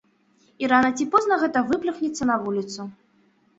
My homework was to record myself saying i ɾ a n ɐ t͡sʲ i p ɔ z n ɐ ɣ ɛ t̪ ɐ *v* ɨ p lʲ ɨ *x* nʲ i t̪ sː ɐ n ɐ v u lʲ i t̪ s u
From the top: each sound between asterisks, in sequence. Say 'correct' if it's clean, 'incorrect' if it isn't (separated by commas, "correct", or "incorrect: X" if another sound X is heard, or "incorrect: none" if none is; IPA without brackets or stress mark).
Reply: correct, correct